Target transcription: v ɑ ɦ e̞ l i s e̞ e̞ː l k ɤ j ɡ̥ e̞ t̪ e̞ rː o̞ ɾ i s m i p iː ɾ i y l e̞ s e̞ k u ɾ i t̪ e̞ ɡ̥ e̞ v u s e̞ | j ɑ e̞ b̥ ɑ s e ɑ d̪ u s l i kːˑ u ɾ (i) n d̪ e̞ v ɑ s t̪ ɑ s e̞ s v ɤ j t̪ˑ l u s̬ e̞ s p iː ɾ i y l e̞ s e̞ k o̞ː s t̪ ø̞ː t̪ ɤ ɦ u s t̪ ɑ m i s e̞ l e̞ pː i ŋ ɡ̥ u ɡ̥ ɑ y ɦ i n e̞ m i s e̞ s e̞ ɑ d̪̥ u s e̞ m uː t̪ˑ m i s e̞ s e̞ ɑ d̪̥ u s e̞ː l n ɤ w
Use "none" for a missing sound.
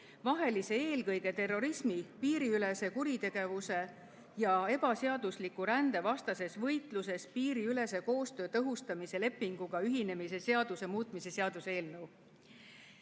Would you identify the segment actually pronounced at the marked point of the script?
æ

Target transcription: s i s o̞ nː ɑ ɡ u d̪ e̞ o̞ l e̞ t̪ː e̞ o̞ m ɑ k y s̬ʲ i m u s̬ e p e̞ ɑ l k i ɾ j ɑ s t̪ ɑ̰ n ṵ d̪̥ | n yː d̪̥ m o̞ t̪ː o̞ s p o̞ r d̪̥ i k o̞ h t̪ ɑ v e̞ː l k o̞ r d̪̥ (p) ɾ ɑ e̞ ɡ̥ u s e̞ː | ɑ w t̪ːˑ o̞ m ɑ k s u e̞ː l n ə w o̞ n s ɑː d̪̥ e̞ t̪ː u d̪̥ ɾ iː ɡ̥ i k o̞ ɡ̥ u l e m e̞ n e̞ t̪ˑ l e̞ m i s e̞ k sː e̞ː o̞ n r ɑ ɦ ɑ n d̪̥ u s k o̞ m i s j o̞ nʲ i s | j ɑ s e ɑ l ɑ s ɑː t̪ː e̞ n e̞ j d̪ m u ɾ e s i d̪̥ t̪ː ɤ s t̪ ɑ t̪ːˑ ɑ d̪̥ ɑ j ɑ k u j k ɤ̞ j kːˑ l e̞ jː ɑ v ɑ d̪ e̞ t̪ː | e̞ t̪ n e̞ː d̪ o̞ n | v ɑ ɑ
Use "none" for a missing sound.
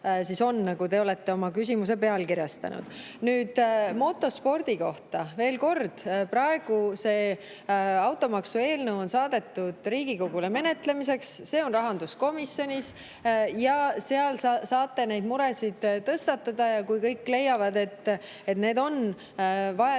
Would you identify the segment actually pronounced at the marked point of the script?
p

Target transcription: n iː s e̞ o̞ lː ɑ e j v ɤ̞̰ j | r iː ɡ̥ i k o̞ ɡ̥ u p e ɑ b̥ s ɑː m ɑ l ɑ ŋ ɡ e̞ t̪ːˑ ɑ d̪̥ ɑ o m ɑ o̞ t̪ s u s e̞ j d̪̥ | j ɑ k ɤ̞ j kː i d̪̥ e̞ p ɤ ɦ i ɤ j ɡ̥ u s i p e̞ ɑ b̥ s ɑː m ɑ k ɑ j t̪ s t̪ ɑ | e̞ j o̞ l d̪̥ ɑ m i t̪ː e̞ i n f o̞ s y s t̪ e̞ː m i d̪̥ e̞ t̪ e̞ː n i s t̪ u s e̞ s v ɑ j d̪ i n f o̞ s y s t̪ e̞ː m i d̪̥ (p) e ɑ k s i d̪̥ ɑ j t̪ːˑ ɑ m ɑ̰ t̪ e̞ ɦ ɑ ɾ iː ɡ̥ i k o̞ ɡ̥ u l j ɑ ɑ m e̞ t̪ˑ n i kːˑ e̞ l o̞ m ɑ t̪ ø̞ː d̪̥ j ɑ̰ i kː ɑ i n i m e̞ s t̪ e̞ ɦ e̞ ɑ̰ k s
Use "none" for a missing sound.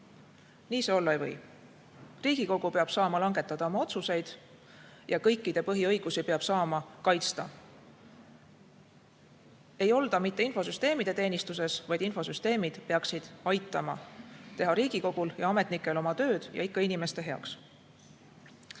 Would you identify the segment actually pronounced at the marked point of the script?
p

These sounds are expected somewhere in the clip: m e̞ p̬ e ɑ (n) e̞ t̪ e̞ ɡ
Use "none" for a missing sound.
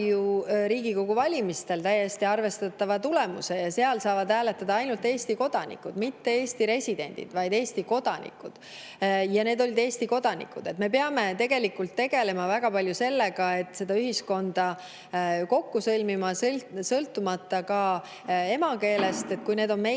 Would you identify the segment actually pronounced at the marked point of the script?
m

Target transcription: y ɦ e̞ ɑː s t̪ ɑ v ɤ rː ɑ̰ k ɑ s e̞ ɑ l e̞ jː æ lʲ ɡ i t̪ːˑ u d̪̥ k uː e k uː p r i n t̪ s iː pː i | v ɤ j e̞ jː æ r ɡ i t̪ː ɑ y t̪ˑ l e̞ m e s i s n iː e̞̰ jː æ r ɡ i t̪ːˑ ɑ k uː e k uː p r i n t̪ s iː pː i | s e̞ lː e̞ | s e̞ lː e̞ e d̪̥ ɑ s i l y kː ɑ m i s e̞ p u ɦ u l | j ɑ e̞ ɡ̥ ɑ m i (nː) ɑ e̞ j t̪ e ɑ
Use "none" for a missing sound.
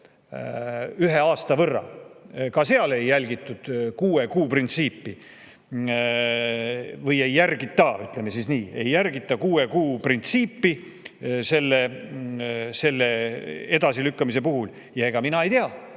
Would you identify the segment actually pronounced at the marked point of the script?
n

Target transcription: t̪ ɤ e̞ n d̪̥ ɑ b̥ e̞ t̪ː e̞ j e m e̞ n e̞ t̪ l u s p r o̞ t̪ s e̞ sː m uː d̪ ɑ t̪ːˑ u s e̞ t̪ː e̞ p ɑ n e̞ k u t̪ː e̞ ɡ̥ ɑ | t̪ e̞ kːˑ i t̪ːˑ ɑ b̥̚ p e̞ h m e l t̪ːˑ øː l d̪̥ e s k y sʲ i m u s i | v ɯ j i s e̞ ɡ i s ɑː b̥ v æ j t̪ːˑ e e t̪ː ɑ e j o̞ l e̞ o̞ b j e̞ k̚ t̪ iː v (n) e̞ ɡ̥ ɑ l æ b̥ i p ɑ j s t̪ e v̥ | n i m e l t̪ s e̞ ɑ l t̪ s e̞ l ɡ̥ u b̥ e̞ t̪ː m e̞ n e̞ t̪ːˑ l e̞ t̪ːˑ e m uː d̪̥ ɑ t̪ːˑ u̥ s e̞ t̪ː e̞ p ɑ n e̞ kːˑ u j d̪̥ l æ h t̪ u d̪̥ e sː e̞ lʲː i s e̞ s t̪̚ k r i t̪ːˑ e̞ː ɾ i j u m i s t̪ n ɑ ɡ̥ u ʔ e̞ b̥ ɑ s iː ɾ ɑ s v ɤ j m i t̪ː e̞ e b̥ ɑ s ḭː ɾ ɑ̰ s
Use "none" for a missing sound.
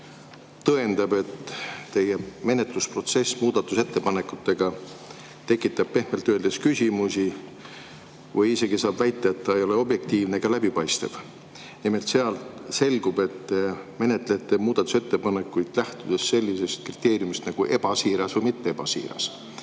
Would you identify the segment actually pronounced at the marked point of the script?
n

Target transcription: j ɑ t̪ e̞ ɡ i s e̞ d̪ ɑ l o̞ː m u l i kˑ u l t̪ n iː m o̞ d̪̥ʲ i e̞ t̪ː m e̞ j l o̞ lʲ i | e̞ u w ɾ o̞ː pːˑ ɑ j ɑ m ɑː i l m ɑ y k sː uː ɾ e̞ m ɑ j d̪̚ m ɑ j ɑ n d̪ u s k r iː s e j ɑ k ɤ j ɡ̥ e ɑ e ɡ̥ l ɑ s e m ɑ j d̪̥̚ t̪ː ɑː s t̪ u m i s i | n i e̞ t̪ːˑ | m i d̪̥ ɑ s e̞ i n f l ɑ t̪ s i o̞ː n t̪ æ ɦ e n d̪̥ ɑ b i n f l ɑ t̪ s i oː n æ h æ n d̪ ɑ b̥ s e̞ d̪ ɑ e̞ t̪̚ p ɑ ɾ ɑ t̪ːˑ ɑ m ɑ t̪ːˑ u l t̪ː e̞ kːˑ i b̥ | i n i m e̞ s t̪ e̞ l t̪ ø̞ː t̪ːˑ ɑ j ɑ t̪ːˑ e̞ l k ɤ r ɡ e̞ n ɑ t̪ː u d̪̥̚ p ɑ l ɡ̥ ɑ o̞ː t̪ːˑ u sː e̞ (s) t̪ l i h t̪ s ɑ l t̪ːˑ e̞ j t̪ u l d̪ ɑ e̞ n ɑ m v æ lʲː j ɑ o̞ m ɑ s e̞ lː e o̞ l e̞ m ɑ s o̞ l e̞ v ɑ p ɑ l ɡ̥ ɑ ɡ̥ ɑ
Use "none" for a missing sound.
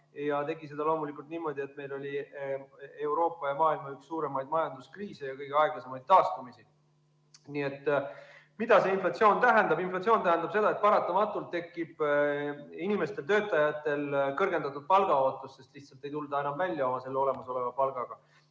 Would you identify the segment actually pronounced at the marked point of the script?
s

